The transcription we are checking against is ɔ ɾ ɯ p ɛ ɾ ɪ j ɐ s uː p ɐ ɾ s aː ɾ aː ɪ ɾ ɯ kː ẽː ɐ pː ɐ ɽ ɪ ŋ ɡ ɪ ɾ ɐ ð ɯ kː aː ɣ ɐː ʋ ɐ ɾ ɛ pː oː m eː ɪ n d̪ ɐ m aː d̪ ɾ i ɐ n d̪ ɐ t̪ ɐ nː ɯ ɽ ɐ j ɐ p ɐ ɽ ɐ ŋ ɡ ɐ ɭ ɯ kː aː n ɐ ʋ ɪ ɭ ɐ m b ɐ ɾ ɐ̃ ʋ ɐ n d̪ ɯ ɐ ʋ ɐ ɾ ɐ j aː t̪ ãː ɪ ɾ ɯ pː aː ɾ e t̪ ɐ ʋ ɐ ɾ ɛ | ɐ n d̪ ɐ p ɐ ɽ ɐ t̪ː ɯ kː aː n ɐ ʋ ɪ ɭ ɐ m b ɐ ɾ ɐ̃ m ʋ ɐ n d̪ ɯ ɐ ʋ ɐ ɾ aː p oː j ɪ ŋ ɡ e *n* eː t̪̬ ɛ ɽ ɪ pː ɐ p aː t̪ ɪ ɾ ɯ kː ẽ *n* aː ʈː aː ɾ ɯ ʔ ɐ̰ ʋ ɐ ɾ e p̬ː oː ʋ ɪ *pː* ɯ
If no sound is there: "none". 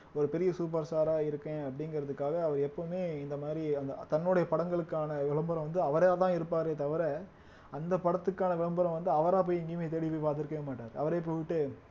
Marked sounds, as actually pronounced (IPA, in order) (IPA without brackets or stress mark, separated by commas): m, m, ʈː